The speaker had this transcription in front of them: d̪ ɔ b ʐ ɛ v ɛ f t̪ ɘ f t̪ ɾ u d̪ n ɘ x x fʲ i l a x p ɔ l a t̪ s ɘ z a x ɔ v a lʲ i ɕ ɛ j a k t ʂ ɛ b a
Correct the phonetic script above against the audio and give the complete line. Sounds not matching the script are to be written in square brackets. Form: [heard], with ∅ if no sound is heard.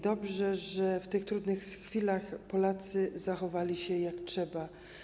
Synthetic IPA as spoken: d̪ ɔ b ʐ ɛ [ʐ] ɛ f t̪ ɘ [x] t̪ ɾ u d̪ n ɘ x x fʲ i l a x p ɔ l a t̪ s ɘ z a x ɔ v a lʲ i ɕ ɛ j a k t ʂ ɛ b a